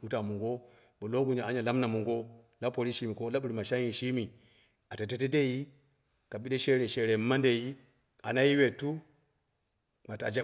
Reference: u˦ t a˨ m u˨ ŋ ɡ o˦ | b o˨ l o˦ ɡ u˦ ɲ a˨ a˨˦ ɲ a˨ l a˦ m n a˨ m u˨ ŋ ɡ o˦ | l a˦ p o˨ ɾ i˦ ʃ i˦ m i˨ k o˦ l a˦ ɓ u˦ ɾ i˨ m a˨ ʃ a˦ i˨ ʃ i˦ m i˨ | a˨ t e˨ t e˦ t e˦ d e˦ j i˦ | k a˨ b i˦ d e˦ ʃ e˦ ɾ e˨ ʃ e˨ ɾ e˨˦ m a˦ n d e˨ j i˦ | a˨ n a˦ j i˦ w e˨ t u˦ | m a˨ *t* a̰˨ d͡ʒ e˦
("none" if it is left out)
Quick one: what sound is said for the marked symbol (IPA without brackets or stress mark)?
t